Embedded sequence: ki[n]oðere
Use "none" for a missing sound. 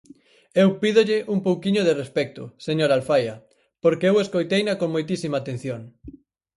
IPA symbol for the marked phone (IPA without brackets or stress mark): ɲ